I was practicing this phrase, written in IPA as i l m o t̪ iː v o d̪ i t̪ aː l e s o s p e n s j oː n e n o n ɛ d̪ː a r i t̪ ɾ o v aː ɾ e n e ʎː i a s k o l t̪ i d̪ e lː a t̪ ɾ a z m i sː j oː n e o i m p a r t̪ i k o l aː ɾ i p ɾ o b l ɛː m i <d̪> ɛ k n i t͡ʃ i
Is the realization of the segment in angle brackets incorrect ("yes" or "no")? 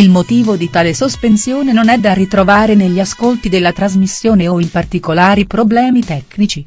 yes